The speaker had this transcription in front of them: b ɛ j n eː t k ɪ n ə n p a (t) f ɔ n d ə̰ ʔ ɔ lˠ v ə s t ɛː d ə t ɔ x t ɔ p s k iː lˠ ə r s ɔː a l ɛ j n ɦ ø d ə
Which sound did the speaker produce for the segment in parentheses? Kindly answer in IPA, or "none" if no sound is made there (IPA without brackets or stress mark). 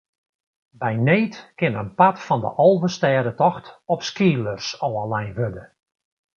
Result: t